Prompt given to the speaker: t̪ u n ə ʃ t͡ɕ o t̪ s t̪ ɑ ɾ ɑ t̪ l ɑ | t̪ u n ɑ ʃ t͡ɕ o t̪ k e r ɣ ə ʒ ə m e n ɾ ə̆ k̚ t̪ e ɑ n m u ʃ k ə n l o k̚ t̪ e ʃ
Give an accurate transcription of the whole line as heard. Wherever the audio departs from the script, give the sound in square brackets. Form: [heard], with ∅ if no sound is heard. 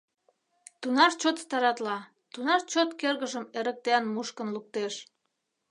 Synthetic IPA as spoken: t̪ u n [ɑ] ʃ t͡ɕ o t̪ s t̪ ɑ ɾ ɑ t̪ l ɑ | t̪ u n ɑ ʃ t͡ɕ o t̪ k e r ɣ ə ʒ ə m e [∅] ɾ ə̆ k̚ t̪ e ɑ n m u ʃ k ə n l [u] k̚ t̪ e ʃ